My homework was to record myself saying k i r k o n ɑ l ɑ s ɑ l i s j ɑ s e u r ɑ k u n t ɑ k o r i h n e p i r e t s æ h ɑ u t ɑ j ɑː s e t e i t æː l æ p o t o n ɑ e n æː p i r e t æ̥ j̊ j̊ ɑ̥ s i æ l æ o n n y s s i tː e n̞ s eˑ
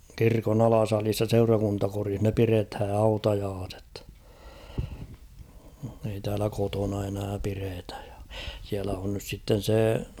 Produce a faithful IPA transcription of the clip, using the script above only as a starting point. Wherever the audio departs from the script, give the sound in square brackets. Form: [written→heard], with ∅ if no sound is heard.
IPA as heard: k i r k o n ɑ l ɑ s ɑ l i s j ɑ s e u r ɑ k u n t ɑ k o r i h n e p i r e t [s→h] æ h ɑ u t ɑ j ɑː s e t e i t æː l æ [p→k] o t o n ɑ e n æː p i r e t æ̥ j̊ j̊ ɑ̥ s i æ l æ o n n y s s i tː e n̞ s eˑ